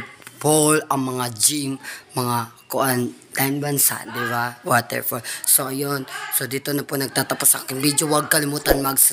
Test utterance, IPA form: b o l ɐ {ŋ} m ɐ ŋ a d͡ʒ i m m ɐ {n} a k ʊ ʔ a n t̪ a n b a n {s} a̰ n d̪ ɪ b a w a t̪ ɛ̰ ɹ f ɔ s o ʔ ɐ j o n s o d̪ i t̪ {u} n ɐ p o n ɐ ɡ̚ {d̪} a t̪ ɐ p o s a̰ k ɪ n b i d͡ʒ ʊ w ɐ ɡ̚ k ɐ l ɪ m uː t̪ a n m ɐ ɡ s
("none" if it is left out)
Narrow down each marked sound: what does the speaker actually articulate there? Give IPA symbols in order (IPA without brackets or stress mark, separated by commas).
ŋ, ŋ, s, o, t̪